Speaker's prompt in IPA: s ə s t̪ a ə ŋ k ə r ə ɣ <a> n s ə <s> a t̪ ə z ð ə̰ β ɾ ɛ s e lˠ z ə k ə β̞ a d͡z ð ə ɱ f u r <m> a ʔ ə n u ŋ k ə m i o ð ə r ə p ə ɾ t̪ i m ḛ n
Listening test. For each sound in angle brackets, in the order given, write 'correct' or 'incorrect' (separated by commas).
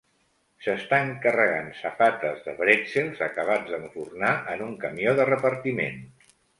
correct, incorrect, incorrect